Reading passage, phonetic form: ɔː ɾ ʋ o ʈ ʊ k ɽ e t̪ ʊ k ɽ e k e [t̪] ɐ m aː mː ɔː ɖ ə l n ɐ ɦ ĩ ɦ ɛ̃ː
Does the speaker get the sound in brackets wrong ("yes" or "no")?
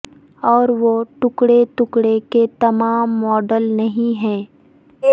no